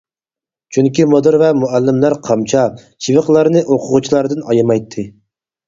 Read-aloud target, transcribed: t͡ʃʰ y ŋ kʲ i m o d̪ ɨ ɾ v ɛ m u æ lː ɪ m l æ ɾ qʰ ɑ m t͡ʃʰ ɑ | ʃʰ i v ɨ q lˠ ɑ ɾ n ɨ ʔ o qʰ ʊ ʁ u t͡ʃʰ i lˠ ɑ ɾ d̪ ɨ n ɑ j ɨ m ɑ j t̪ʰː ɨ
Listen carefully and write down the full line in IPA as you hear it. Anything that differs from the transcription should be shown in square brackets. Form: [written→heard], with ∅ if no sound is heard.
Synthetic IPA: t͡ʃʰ y ŋ kʲ i m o d̪ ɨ ɾ v ɛ m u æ lː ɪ m l æ ɾ qʰ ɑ m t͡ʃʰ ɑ | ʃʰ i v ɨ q lˠ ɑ ɾ n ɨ ʔ o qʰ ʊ ʁ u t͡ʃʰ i lˠ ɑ ɾ d̪ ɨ n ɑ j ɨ m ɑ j t̪ʰː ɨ